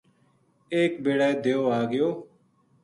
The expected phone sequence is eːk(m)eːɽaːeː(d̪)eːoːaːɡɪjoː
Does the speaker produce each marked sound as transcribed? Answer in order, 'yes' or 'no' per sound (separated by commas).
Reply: no, yes